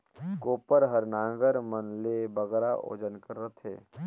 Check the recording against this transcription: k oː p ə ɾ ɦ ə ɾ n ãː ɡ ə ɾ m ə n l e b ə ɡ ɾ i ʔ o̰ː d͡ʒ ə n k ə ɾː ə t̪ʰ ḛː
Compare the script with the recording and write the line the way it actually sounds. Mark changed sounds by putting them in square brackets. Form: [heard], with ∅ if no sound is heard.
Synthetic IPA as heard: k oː p ə ɾ ɦ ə ɾ n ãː ɡ ə ɾ m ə n l e b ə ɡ ɾ [a] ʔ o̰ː d͡ʒ ə n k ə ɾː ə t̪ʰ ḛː